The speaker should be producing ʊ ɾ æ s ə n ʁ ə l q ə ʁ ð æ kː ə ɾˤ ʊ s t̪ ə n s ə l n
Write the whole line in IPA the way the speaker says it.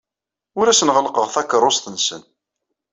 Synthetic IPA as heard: ʊ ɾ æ s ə n ʁ ə l q ə ʁ θ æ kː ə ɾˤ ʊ s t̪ ə n s ə n